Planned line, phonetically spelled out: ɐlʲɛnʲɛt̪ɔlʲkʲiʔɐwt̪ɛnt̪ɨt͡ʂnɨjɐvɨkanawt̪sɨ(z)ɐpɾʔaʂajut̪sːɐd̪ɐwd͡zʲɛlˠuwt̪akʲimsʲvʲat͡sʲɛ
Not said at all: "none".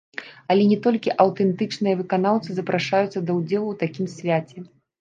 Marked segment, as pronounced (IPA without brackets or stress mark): z